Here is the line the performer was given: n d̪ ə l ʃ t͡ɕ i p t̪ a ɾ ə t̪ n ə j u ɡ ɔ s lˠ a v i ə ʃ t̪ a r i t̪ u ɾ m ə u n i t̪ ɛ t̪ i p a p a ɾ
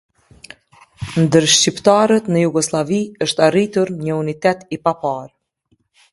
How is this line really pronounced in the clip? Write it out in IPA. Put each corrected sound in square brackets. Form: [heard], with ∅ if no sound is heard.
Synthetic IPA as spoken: n d̪ ə [ɾ] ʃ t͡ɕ i p t̪ a ɾ ə t̪ n ə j u ɡ ɔ s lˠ a v i ə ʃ t̪ a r i t̪ u ɾ [ɲ] ə u n i t̪ ɛ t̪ i p a p a ɾ